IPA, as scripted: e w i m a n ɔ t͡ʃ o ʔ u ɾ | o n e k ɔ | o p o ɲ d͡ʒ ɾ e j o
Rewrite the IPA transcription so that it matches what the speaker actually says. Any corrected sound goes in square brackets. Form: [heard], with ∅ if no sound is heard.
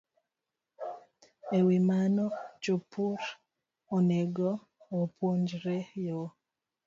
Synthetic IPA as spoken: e w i m a n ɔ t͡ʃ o [p] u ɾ | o n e [ɡ] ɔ | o p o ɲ d͡ʒ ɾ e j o